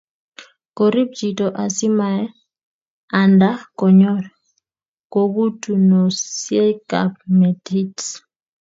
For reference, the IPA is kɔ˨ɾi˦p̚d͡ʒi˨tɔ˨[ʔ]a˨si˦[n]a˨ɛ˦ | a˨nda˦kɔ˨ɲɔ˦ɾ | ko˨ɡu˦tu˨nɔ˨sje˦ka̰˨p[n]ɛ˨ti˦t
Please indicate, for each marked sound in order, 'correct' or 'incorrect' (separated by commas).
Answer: correct, incorrect, incorrect